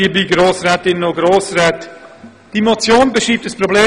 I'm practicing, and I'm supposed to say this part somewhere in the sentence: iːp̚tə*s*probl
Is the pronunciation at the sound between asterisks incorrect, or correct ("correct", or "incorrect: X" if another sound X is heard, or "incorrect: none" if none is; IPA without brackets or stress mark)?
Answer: correct